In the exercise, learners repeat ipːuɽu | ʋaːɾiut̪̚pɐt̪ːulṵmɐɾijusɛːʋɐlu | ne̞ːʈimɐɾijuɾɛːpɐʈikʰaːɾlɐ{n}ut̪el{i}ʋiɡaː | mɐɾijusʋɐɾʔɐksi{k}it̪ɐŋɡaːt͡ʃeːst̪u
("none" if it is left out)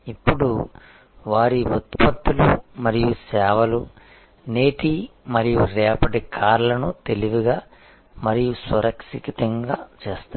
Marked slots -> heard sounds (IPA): n, i, k

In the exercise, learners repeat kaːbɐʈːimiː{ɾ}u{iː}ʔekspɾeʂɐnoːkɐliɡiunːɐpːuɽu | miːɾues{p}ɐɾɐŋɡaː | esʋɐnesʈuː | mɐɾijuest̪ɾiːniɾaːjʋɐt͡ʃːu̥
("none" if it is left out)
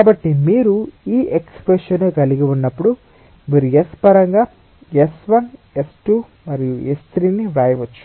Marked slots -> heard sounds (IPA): ɾ, iː, p

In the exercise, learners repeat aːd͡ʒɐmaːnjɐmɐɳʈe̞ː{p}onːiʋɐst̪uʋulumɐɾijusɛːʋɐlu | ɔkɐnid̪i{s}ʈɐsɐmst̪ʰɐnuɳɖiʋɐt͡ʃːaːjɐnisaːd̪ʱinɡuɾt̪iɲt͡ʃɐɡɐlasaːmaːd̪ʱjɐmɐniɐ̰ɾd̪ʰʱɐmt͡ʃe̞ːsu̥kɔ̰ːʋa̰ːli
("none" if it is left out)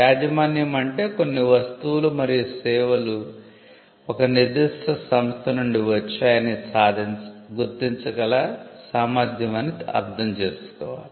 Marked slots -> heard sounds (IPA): k, ʂ

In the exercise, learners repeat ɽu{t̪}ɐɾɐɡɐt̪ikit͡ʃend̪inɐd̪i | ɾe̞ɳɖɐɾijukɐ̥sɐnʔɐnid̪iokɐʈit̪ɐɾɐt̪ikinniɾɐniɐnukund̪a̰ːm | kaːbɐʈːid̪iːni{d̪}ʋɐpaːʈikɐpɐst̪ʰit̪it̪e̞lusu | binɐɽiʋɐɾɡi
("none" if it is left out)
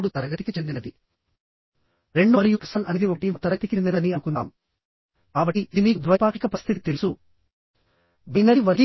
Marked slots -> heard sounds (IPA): t̪, d̪

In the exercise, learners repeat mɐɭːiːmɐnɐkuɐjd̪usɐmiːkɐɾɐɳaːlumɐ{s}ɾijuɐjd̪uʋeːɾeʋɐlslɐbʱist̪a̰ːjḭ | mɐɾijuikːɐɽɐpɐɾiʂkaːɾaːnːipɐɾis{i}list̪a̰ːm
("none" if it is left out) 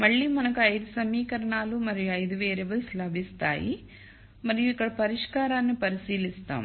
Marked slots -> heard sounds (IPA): none, iː

